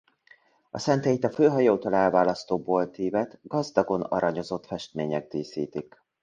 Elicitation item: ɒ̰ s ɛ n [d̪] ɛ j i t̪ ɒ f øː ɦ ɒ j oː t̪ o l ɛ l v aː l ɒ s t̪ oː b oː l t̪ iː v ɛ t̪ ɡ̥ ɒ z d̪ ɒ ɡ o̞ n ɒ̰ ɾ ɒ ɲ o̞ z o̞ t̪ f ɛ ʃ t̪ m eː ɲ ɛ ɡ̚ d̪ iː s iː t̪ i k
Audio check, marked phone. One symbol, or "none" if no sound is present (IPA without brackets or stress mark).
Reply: t̪